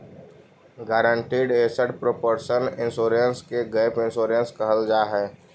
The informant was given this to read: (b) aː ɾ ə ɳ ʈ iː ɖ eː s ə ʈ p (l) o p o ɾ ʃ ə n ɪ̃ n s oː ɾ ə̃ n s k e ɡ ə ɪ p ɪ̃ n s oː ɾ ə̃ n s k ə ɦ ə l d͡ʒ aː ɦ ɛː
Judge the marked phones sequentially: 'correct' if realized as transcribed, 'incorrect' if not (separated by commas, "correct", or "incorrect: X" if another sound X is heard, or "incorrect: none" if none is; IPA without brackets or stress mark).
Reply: incorrect: ɡ, incorrect: ɾ